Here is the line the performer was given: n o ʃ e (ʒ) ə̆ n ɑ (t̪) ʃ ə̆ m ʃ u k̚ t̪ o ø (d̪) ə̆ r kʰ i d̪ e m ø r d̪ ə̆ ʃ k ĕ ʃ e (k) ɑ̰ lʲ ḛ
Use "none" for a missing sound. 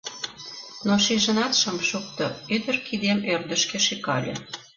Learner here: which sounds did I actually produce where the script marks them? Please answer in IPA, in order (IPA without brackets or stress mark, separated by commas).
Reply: ʒ, t̪, d̪, k